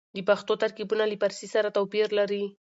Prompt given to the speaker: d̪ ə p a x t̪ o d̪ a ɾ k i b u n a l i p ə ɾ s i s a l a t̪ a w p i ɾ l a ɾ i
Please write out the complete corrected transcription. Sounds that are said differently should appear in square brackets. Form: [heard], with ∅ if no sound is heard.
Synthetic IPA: d̪ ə p a x t̪ o [t̪] a ɾ k i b u n a l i p [a] ɾ s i s a [ɾ] a t̪ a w p i ɾ l a ɾ i